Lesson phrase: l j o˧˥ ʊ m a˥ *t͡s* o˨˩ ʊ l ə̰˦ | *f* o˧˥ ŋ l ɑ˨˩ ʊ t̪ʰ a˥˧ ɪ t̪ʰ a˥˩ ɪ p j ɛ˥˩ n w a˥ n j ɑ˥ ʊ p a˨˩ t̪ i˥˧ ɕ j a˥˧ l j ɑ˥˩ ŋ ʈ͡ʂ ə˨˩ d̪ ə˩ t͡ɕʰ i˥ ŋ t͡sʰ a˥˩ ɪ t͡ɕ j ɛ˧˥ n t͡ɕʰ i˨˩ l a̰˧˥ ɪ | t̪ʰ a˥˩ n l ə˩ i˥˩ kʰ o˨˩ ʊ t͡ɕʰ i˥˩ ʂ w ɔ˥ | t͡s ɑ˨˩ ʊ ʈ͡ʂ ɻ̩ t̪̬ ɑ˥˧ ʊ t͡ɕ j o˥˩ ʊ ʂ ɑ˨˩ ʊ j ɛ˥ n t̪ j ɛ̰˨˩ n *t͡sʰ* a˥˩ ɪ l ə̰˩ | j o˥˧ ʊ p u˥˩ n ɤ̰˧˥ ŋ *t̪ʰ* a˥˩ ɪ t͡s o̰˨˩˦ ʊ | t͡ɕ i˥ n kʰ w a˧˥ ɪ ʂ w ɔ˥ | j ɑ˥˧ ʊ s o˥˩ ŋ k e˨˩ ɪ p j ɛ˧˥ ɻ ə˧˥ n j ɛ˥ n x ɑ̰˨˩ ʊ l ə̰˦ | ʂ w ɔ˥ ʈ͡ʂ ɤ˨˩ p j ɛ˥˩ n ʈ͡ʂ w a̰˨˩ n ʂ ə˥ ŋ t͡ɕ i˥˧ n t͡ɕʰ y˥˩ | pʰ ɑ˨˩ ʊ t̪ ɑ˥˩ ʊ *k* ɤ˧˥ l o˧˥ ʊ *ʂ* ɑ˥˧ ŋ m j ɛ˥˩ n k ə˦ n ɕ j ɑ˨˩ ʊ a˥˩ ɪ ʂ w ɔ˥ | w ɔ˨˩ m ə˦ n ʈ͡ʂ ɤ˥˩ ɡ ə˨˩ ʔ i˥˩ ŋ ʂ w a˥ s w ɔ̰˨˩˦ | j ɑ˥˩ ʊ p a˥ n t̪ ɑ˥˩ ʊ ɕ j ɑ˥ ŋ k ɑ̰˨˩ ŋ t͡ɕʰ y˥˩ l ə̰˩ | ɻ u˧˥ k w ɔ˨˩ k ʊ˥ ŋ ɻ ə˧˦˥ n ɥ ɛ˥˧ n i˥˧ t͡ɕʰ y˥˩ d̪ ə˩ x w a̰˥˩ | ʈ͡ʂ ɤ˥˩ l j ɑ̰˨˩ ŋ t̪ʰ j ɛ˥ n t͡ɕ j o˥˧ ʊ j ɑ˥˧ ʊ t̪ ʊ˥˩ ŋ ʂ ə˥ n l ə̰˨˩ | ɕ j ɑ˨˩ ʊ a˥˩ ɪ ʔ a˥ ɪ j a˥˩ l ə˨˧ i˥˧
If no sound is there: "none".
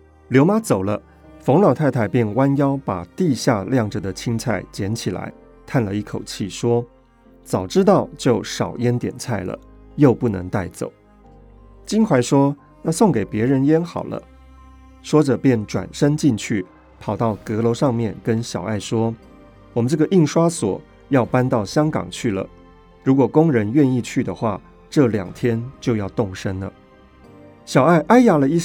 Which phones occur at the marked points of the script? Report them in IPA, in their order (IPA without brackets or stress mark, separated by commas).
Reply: t͡s, f, t͡sʰ, t̪, k, ʂ